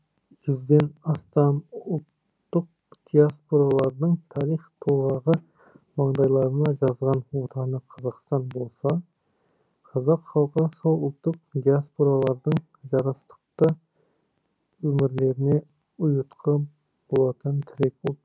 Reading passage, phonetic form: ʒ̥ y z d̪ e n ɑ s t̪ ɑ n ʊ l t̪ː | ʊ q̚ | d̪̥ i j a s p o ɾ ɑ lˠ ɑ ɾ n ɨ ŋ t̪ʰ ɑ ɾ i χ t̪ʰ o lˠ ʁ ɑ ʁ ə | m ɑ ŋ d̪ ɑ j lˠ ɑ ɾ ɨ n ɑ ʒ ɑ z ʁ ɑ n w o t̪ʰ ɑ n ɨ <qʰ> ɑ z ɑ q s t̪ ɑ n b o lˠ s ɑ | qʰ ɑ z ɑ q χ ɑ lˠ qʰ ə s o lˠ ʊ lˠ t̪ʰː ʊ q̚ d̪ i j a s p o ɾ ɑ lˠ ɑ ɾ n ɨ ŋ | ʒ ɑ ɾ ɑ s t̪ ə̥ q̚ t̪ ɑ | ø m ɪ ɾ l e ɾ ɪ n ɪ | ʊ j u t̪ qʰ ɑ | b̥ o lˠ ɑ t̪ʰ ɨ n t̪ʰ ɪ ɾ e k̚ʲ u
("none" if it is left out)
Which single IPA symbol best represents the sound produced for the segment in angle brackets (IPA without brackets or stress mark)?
qʰ